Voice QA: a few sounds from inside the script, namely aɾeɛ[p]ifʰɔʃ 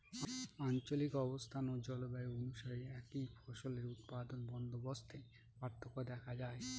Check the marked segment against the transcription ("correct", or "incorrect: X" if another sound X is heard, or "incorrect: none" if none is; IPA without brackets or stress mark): incorrect: k